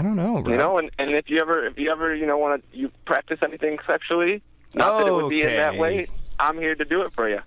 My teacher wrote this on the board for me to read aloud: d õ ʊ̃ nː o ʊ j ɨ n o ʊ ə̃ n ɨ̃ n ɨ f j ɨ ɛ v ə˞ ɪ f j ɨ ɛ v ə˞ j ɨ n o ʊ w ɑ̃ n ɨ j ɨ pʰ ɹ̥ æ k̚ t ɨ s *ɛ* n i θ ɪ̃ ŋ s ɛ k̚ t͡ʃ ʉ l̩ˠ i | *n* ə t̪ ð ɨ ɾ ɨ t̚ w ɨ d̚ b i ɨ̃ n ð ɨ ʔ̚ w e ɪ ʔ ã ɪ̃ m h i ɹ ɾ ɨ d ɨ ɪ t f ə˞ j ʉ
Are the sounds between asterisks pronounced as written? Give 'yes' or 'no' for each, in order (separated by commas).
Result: yes, yes